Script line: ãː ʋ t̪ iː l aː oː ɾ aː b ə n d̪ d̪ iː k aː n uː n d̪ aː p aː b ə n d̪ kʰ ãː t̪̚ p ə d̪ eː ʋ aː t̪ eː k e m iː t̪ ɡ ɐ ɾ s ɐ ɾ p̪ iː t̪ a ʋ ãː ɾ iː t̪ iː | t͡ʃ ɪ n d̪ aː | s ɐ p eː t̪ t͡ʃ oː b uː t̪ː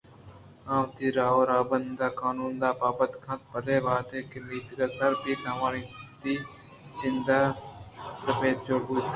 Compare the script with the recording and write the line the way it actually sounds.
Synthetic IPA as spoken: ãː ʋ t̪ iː ɾ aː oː ɾ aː b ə n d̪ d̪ aː k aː n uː n d̪ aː p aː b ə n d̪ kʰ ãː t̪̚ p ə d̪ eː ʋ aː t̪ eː k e m iː t̪ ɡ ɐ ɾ s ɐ ɾ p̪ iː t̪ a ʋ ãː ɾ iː t̪ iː | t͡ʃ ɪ n d̪ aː | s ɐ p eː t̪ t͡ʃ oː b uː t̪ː

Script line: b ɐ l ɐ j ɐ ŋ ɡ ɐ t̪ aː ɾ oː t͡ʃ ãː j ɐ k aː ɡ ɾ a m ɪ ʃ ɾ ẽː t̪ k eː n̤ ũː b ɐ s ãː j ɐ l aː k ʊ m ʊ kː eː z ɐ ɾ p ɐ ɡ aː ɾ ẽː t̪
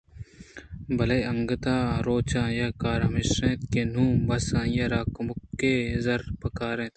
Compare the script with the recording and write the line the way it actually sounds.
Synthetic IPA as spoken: b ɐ l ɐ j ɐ ŋ ɡ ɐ t̪ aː ɾ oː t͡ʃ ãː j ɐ k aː ɾ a m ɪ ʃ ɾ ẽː t̪ k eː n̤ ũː b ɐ s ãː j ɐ ɾ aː k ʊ m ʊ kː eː z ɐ ɾ p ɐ k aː ɾ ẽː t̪

